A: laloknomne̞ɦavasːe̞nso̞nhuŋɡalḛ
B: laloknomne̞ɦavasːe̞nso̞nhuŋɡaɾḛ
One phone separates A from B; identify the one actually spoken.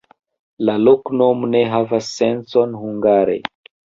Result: B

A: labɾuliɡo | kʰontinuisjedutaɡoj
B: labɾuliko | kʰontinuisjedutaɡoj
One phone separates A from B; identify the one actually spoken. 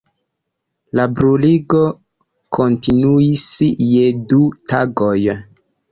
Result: A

